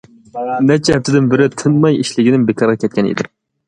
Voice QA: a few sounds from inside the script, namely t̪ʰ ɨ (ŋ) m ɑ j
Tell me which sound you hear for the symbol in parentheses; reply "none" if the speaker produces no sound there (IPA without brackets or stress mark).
n